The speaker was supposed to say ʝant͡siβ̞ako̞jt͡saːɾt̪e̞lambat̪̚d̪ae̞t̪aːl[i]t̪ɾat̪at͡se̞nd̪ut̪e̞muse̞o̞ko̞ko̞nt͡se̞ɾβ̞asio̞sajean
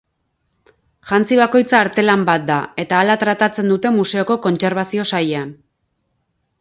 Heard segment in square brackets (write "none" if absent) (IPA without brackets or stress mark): a